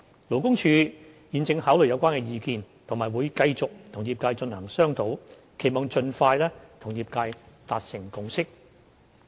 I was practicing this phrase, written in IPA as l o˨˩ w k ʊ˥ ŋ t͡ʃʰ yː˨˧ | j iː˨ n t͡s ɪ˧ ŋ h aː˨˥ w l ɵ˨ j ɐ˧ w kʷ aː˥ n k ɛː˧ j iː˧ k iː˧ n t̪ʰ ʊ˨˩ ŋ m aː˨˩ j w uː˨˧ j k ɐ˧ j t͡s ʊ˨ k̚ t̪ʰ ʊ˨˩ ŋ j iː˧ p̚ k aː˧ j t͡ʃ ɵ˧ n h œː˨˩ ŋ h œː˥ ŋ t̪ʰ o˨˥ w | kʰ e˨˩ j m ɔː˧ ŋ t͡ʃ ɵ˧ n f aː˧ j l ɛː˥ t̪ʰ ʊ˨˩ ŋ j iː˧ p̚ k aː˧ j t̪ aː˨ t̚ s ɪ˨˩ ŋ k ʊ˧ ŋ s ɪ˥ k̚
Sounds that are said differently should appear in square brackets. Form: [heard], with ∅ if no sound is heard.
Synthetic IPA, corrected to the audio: l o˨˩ w k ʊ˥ ŋ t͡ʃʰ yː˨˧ | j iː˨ n t͡s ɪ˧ ŋ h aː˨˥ w l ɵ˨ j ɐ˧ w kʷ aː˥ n k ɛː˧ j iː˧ k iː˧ n t̪ʰ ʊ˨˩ ŋ m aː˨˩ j w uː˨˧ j k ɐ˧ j t͡s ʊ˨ k̚ t̪ʰ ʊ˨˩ ŋ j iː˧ p̚ k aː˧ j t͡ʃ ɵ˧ n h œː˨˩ ŋ [s] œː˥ ŋ t̪ʰ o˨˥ w | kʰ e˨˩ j m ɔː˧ ŋ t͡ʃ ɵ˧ n f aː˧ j l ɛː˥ t̪ʰ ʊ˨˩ ŋ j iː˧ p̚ k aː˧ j t̪ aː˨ t̚ s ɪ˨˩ ŋ k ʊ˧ ŋ s ɪ˥ k̚